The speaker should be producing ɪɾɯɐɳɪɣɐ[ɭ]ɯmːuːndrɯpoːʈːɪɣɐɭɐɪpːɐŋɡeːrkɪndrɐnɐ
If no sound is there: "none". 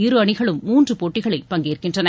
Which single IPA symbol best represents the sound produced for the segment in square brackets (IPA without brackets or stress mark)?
ɭ